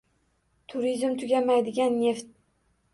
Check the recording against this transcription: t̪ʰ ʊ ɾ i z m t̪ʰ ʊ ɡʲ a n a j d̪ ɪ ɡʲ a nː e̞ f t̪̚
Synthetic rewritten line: t̪ʰ ʊ ɾ i z m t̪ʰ ʊ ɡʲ a m a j d̪ ɪ ɡʲ a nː e̞ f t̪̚